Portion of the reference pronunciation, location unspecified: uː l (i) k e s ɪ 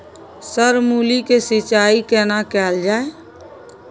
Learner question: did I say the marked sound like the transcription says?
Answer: yes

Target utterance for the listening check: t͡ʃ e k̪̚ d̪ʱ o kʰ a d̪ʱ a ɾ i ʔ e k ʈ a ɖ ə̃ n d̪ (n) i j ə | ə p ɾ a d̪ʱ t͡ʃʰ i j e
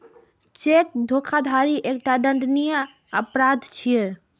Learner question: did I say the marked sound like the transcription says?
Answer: yes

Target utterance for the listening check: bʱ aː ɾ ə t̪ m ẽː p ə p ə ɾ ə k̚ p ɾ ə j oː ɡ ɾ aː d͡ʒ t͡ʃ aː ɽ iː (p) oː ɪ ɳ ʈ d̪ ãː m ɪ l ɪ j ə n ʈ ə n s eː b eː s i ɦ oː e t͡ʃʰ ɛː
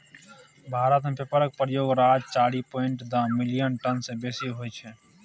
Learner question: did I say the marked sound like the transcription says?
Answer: yes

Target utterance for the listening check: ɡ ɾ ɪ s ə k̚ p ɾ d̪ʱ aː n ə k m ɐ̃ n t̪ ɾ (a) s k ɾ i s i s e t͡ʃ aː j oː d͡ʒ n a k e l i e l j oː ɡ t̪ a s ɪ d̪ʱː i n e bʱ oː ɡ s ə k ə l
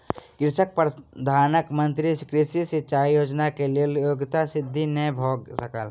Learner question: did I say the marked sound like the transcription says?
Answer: no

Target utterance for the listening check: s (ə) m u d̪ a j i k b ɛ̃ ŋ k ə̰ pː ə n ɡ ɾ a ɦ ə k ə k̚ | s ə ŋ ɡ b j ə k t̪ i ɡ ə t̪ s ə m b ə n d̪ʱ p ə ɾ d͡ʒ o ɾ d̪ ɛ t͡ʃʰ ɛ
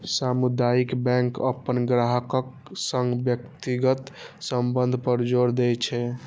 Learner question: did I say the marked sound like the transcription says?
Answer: no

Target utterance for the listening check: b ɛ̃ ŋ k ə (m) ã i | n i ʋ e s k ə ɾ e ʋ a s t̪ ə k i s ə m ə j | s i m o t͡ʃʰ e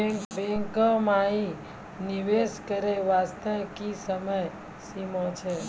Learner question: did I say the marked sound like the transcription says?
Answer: yes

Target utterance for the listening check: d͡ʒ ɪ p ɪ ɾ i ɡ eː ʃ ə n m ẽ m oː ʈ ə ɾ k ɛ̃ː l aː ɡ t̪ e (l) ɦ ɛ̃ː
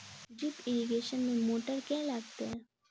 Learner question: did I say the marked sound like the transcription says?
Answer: no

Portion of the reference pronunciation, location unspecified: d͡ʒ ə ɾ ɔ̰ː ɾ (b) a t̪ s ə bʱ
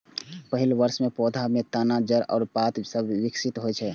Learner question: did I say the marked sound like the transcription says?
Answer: no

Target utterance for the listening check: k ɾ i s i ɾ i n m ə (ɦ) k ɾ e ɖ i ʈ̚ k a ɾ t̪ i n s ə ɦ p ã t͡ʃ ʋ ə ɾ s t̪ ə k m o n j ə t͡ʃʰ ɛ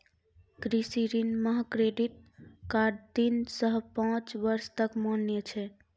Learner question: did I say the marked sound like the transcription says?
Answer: yes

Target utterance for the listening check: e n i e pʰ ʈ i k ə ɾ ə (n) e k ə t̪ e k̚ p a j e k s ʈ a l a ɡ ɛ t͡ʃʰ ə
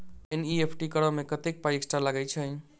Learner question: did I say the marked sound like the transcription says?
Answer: no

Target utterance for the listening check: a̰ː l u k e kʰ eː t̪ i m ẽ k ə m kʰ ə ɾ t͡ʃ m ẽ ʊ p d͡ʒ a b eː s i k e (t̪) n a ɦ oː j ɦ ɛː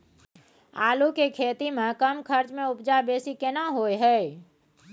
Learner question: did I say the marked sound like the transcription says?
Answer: no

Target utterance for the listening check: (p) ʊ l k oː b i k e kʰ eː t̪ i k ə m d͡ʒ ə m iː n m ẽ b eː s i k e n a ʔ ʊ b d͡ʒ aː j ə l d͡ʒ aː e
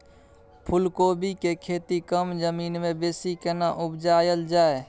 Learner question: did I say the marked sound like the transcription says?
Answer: no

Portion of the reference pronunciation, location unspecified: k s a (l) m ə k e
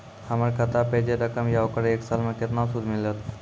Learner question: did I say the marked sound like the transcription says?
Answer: yes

